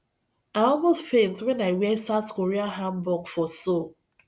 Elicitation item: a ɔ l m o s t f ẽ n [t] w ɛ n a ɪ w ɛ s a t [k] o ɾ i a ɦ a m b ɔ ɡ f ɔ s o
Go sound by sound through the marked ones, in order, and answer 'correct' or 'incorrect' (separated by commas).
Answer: correct, correct